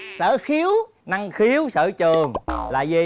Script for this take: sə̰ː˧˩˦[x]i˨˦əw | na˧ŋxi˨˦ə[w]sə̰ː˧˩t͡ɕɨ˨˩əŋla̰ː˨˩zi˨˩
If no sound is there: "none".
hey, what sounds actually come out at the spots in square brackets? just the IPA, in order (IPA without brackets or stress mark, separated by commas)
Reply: x, w